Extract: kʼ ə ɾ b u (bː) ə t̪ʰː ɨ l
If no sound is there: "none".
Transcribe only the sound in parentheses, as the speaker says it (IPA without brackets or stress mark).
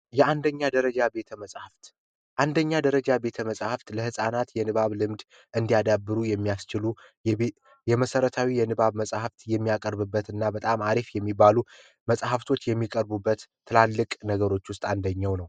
bː